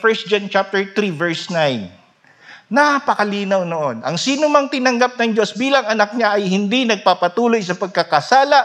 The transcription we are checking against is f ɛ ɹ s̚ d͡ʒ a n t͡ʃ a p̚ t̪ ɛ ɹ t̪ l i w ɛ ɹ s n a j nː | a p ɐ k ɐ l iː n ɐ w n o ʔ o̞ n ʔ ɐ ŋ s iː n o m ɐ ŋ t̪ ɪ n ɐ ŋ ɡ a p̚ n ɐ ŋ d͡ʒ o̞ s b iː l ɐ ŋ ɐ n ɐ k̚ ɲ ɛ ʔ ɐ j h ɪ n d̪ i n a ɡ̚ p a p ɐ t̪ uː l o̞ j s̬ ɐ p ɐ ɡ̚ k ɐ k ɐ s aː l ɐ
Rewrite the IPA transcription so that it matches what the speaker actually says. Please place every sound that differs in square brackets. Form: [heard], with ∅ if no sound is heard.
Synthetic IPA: f ɛ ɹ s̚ d͡ʒ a n t͡ʃ a p̚ t̪ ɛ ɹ t̪ [ɾ] i [v] ɛ ɹ s n a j nː | a p ɐ k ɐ l iː n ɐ w n o ʔ o̞ n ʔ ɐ ŋ s iː n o m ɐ ŋ t̪ ɪ n ɐ ŋ ɡ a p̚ n ɐ ŋ d͡ʒ o̞ s b iː l ɐ ŋ ɐ n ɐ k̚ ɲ [a] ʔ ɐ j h ɪ n d̪ i n [ɐ] ɡ̚ p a p ɐ t̪ uː l o̞ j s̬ ɐ p ɐ ɡ̚ k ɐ k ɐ s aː l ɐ